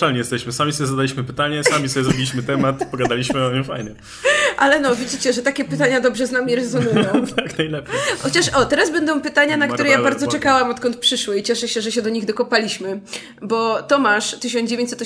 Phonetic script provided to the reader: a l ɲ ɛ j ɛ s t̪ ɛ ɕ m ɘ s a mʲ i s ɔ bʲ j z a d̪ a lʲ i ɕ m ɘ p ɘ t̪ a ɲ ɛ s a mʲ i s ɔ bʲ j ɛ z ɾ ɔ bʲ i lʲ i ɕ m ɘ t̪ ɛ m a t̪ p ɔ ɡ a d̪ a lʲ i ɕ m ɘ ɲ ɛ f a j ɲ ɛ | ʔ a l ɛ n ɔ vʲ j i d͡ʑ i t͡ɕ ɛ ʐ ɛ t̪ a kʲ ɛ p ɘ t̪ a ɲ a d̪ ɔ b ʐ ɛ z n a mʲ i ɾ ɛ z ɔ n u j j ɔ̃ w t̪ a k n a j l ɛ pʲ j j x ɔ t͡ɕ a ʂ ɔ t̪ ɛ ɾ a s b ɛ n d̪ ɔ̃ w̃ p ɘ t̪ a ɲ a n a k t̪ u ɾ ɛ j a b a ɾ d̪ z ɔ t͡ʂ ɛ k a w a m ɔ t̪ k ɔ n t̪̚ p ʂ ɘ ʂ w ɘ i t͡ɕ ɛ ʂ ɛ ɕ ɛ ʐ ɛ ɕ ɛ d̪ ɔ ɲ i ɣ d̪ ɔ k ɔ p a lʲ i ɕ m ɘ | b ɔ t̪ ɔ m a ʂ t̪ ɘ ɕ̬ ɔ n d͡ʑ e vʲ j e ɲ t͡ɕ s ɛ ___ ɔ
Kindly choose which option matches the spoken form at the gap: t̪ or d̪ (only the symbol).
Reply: t̪